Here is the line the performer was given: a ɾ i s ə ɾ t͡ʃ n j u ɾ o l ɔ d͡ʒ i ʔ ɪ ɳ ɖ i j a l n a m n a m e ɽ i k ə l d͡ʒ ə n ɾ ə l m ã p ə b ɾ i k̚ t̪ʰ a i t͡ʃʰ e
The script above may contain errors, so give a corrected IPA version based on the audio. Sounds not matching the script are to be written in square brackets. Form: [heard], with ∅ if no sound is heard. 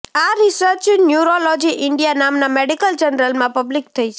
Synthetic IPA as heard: a ɾ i s ə ɾ t͡ʃ n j u ɾ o l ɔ d͡ʒ i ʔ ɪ ɳ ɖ i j a [∅] n a m n a m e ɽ i k ə l d͡ʒ ə n ɾ ə l m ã p ə b [l] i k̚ t̪ʰ [ə] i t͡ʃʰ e